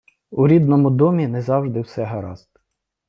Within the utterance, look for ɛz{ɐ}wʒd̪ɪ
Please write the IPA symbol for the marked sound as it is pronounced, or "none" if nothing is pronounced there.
ɑ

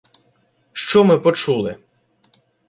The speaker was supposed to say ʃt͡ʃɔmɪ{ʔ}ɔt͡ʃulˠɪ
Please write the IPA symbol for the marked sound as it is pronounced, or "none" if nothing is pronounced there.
p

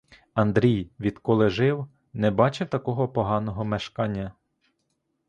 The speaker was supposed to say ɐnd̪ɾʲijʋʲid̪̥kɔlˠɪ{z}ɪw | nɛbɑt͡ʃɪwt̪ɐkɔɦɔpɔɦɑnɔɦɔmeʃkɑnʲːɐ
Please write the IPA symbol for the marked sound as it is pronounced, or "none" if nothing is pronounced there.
ʒ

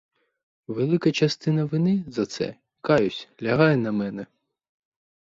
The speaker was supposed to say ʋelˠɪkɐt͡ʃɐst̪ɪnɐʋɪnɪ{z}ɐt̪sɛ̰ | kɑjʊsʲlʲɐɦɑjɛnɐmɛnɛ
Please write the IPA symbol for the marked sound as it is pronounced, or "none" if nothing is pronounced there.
z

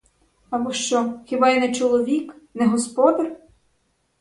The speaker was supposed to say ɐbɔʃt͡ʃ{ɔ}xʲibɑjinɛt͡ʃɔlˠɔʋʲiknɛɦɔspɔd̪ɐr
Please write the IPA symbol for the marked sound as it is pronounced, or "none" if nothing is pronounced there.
ɔ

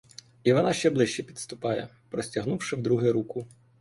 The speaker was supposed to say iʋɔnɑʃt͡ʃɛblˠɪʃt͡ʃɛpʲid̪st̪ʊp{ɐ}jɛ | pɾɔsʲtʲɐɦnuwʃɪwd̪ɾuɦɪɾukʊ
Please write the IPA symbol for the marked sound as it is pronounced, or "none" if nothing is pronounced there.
ɑ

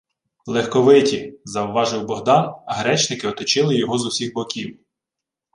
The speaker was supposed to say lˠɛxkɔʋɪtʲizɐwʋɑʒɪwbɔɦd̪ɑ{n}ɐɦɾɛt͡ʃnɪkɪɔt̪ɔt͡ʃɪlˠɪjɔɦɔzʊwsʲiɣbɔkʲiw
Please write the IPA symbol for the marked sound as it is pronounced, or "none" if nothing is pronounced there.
n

